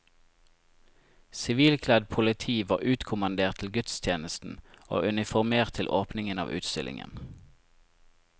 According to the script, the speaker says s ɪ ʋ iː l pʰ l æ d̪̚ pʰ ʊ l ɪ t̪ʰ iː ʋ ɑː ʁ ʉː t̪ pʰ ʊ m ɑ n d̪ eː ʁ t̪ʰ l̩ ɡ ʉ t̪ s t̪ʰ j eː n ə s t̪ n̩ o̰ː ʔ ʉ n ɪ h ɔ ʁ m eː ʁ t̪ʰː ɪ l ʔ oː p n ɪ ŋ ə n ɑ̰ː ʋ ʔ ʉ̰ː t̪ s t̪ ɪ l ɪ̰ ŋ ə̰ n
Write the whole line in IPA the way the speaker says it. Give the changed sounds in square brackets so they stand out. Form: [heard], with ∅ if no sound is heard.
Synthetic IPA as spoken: s ɪ ʋ iː l [kʰ] l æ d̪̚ pʰ ʊ l ɪ t̪ʰ iː ʋ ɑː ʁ ʉː t̪ [kʰ] ʊ m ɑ n d̪ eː ʁ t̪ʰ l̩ ɡ ʉ t̪ s t̪ʰ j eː n ə s t̪ n̩ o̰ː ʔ ʉ n ɪ [f] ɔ ʁ m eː ʁ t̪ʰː ɪ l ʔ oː p n ɪ ŋ ə n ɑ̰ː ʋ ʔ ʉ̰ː t̪ s t̪ ɪ l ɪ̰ ŋ ə̰ n

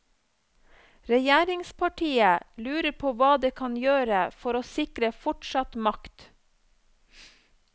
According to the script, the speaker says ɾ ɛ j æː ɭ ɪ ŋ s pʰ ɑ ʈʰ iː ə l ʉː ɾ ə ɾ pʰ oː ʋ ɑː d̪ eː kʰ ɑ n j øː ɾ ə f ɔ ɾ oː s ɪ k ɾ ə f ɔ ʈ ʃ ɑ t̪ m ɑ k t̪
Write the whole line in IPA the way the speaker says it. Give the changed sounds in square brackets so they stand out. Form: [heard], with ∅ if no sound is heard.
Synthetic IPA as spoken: ɾ ɛ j æː [ɾ] ɪ ŋ s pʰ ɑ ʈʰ iː ə l ʉː ɾ ə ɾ pʰ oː ʋ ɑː d̪ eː kʰ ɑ n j øː ɾ ə f ɔ ɾ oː s ɪ k ɾ ə f ɔ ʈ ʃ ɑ t̪ m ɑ k t̪

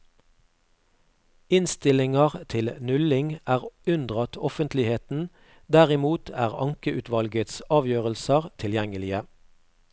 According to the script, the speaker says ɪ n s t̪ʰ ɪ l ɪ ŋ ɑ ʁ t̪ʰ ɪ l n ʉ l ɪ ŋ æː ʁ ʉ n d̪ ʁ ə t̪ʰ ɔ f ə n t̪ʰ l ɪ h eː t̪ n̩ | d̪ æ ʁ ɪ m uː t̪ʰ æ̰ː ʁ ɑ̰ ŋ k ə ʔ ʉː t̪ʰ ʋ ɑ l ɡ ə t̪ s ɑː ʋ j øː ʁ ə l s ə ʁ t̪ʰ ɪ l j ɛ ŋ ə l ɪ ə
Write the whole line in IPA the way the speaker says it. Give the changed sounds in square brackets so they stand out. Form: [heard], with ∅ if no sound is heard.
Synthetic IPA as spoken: ɪ n s [t̪] ɪ l ɪ ŋ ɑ ʁ t̪ʰ ɪ l n ʉ l ɪ ŋ æː ʁ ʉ n d̪ ʁ [ɑ] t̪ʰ ɔ f ə n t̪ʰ l ɪ h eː t̪ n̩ | d̪ æ ʁ ɪ m uː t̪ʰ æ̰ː ʁ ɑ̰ ŋ k ə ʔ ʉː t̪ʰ ʋ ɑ l ɡ ə t̪ s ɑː ʋ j øː ʁ ə l s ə ʁ t̪ʰ ɪ l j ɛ ŋ ə l ɪ ə

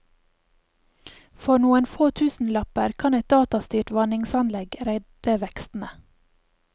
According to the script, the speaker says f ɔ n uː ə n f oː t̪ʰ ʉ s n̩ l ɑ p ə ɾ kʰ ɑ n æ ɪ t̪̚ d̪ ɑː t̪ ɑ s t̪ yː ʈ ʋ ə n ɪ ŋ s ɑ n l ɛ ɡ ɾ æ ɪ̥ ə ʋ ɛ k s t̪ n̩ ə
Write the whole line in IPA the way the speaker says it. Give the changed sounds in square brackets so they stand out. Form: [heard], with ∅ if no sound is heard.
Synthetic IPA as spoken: f ɔ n uː ə n f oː t̪ʰ [ʉː] s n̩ l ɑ p ə ɾ kʰ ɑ n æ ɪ t̪̚ d̪ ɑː t̪ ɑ s t̪ yː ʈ ʋ [ɑ] n ɪ ŋ s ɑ n l ɛ ɡ ɾ æ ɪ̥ ə ʋ ɛ k s t̪ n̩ ə

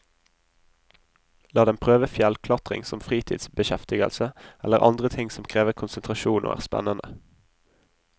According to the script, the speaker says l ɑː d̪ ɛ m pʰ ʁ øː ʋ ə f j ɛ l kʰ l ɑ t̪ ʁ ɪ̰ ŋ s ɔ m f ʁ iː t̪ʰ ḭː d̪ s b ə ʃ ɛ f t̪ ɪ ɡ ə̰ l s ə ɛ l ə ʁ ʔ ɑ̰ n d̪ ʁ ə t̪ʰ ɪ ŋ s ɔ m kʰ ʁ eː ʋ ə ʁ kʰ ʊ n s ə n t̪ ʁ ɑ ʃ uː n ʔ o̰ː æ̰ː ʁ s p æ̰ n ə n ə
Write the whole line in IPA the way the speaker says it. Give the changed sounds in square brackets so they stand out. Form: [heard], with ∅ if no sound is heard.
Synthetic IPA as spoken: l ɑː d̪ ɛ m pʰ ʁ øː ʋ ə f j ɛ l kʰ l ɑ t̪ ʁ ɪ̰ ŋ s ɔ m f ʁ iː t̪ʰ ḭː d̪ s b ə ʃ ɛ f t̪ ɪ ɡ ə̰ l s ə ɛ l ə ʁ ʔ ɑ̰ n d̪ ʁ ə t̪ʰ ɪ ŋ s ɔ m kʰ ʁ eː ʋ ə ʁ kʰ ʊ n s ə n t̪ ʁ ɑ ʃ uː n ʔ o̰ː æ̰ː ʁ s p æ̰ n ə n ə

